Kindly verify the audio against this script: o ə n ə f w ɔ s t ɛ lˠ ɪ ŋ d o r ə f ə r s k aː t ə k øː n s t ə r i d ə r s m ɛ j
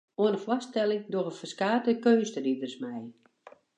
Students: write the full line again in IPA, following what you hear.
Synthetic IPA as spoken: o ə n ə f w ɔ s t ɛ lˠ ɪ ŋ d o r ə f ə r s k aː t ə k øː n s t ə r i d ə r s m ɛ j